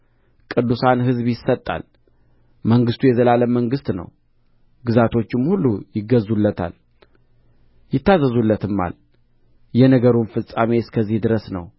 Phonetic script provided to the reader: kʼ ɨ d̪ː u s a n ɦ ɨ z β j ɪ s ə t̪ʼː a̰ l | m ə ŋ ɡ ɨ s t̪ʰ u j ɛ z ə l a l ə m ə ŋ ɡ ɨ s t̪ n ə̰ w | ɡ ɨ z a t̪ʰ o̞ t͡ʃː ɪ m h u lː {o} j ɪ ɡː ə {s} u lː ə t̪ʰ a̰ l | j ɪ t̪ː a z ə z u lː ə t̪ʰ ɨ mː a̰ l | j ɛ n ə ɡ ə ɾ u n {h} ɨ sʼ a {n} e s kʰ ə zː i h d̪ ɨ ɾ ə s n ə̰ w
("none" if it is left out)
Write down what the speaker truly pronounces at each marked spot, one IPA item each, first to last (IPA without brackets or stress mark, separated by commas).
u, z, f, m